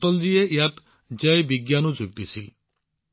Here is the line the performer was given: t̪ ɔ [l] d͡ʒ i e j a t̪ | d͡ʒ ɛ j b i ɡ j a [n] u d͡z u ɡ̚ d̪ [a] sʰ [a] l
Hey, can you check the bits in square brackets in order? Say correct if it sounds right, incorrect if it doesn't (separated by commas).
correct, correct, incorrect, incorrect